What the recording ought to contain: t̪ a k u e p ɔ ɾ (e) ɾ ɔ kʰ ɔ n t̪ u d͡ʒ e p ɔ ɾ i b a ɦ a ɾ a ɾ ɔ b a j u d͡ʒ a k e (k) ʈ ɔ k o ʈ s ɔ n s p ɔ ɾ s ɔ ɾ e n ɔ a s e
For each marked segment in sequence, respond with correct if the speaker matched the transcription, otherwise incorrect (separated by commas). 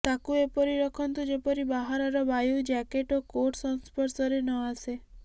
incorrect, incorrect